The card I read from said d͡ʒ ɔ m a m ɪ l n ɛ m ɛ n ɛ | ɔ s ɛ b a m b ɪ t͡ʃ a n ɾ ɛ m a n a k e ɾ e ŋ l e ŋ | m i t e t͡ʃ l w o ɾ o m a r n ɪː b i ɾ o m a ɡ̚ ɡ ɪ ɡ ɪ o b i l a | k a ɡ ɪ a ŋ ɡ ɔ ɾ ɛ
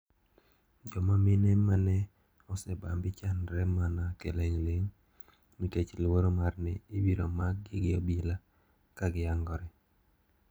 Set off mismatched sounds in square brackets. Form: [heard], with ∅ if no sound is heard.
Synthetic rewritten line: d͡ʒ ɔ m a m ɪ [∅] n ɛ m [a] n ɛ | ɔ s ɛ b a m b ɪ t͡ʃ a n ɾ ɛ m a n a k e [l] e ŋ l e ŋ | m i t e t͡ʃ l w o ɾ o m a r n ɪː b i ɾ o m a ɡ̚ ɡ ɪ ɡ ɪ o b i l a | k a ɡ ɪ a ŋ ɡ ɔ ɾ ɛ